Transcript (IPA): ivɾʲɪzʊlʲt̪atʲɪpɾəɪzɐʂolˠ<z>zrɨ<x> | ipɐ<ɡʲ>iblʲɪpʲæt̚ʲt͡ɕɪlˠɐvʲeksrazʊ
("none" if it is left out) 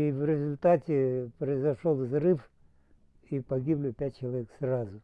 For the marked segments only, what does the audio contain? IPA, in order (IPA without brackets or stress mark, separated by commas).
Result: v, f, ɡʲ